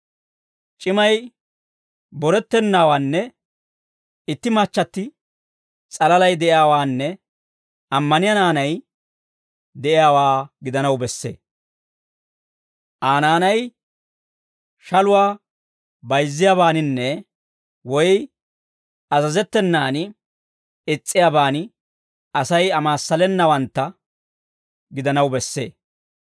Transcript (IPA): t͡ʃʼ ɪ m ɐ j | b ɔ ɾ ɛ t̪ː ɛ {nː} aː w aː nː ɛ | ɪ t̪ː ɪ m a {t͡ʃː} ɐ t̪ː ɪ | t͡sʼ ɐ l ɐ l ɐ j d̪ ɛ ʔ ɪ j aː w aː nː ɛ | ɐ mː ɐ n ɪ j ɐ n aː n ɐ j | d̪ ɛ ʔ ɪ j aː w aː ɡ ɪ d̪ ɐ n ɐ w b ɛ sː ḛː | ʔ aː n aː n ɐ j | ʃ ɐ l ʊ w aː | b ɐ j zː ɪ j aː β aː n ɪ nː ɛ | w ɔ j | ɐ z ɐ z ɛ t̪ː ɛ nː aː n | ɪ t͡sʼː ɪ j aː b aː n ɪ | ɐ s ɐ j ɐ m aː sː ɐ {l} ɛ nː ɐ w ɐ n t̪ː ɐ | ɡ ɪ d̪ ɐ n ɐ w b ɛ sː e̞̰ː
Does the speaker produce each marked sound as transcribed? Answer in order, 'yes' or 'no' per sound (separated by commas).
yes, yes, yes